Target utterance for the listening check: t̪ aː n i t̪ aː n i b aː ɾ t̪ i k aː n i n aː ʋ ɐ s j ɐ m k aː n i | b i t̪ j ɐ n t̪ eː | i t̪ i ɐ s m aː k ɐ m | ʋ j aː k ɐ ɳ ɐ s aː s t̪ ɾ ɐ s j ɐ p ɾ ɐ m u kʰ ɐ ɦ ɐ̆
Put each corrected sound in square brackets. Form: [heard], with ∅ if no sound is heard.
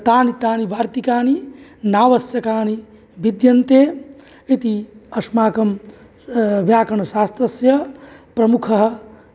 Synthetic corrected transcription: t̪ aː n i t̪ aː n i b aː ɾ t̪ i k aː n i n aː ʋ ɐ s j ɐ [∅] k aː n i | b i [d̪] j ɐ n t̪ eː | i t̪ i ɐ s m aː k ɐ m | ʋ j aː k ɐ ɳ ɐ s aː s t̪ ɾ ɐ s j ɐ p ɾ ɐ m u kʰ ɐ ɦ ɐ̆